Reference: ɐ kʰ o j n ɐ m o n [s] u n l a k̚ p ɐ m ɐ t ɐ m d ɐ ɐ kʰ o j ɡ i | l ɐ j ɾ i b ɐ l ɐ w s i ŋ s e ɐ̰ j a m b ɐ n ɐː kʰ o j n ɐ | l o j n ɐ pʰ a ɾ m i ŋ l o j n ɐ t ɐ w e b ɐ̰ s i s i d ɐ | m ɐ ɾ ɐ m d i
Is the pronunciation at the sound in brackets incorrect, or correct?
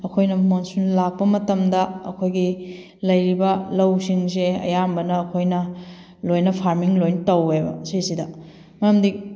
correct